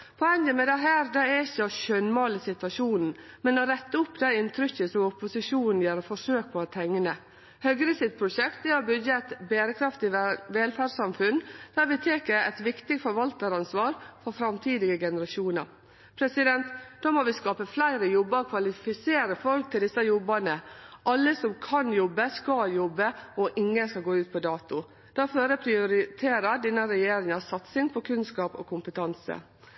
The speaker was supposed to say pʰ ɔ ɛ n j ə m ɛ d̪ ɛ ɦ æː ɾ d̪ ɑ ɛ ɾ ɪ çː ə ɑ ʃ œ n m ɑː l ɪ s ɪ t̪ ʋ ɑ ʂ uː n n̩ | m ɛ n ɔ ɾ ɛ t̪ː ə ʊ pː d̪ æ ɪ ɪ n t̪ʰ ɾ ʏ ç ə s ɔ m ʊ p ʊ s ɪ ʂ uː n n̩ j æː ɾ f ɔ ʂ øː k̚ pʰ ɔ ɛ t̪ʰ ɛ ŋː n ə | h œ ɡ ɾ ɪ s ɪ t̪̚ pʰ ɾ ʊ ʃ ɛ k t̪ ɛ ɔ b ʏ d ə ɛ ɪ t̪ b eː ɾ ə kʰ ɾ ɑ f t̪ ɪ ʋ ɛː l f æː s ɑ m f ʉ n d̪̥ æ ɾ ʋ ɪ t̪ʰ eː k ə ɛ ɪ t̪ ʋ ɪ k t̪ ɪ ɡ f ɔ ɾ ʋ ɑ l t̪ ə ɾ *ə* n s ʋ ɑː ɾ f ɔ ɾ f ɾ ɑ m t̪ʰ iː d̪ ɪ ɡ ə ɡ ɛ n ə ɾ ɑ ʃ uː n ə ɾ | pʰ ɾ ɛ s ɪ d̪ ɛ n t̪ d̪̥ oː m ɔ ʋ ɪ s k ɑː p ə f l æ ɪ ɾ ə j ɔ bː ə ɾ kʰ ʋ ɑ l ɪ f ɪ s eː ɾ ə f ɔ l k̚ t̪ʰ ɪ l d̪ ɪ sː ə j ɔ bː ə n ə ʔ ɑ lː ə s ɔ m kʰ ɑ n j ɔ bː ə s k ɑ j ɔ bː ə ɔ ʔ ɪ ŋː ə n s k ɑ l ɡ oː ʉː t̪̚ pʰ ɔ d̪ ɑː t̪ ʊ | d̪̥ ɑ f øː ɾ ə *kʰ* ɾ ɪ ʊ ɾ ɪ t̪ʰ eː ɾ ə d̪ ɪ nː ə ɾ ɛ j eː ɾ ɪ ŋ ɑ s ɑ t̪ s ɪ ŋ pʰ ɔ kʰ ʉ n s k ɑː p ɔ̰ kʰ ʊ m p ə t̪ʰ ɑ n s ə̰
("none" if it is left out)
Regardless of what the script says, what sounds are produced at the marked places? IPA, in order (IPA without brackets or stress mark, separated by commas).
ɑ, pʰ